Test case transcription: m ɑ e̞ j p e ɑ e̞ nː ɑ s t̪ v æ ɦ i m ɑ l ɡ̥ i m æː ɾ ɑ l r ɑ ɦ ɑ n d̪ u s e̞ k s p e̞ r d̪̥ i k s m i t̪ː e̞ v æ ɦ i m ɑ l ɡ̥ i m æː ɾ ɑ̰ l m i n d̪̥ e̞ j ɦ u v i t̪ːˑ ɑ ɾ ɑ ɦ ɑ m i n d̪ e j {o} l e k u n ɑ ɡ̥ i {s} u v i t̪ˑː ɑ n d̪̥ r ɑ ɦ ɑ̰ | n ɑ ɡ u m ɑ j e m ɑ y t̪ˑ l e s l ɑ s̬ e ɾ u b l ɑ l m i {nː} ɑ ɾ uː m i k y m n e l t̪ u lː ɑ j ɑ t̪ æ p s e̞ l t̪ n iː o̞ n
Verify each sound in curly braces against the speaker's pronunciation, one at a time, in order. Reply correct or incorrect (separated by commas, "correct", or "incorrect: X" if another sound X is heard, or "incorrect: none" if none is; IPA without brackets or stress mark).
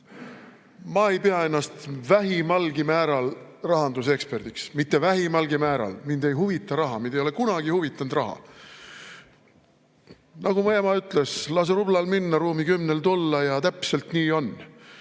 correct, incorrect: h, correct